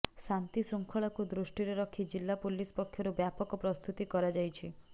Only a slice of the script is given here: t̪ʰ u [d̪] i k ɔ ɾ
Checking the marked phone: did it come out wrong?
yes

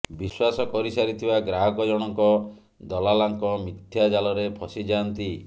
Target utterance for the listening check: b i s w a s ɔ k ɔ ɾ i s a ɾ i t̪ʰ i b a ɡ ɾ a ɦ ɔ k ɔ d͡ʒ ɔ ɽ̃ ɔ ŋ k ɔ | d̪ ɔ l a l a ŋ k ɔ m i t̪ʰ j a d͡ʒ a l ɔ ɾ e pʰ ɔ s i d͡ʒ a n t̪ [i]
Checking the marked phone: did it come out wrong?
no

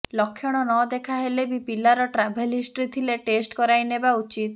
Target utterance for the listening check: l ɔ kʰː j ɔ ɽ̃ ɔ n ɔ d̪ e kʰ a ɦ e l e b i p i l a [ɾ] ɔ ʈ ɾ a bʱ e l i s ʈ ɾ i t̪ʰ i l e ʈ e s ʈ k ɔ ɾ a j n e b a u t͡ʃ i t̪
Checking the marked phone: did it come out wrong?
no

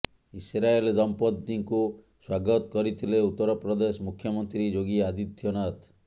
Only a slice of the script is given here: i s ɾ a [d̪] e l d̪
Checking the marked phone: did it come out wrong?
yes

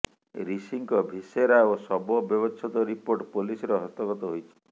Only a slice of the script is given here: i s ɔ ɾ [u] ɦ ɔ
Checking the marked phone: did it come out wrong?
yes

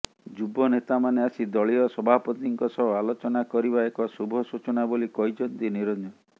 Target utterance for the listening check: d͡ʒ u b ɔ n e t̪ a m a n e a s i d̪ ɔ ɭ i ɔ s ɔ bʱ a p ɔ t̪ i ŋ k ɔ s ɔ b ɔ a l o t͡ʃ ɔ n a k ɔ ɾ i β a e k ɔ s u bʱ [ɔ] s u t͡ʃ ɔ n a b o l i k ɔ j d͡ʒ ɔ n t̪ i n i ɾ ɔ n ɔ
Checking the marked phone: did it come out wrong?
no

